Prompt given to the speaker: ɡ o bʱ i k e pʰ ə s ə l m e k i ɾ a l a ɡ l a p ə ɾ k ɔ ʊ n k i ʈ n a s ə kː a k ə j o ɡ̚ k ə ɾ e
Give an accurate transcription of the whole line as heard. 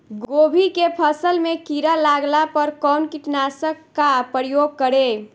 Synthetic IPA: ɡ o bʱ i k e pʰ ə s ə l m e k i ɾ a l a ɡ l a p ə ɾ k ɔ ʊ n k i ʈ n a s ə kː a p ə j o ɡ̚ k ə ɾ e